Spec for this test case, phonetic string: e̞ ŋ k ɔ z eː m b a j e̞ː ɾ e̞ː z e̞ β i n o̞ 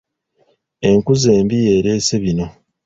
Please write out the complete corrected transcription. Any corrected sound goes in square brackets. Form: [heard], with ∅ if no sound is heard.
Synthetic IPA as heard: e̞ ŋ k [u] z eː m b [i] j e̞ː ɾ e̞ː [s] e̞ β i n o̞